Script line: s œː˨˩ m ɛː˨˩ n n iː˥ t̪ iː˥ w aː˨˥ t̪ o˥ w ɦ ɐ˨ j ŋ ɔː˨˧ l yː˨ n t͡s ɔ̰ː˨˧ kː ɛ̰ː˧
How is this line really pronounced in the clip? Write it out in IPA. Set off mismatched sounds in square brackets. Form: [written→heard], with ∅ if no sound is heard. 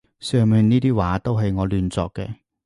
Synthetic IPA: s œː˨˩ m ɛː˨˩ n n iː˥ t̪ iː˥ w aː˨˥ t̪ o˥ w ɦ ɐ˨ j ŋ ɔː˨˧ l yː˨ n t͡s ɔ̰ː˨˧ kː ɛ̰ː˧